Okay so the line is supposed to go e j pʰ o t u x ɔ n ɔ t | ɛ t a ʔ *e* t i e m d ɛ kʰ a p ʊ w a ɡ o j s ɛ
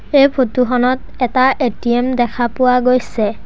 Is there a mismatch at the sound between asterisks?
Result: no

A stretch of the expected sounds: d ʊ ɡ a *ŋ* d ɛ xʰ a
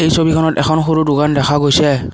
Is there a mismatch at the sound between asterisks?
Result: yes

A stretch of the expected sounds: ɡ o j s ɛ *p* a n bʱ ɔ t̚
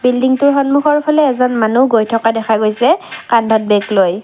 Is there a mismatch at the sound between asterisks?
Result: yes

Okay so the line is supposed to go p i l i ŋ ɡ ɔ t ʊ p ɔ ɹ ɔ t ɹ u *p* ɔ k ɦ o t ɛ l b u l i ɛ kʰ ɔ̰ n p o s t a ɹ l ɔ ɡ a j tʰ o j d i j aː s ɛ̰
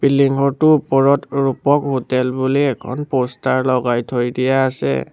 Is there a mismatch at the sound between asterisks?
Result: no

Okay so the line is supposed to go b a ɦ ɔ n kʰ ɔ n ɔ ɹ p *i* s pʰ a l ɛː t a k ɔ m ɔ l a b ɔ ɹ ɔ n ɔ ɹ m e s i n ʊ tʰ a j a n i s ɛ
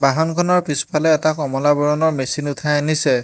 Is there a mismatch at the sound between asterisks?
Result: no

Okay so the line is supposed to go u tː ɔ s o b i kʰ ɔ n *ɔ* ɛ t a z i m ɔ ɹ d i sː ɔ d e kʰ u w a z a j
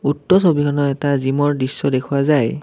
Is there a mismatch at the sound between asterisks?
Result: no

